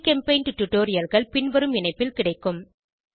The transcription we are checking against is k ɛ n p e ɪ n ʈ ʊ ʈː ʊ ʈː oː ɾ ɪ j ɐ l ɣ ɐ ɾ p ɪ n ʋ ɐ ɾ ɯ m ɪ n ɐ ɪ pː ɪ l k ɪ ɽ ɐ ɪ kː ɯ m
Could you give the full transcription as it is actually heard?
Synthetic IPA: k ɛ m p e ɪ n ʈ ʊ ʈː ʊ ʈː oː ɾ ɪ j ɐ l ɣ ɐ ɭ p ɪ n ʋ ɐ ɾ ɯ m ɪ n ɐ ɪ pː ɪ l k ɪ ɽ ɐ ɪ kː ɯ m